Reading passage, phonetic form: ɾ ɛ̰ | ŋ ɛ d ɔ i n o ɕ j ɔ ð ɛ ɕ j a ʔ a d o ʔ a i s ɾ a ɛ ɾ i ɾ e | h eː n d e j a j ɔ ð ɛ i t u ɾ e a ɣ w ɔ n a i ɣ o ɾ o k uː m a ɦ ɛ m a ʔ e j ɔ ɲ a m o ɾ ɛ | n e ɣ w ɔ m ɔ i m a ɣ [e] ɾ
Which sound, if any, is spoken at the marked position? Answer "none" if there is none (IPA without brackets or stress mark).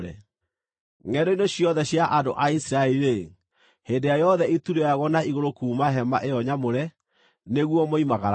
a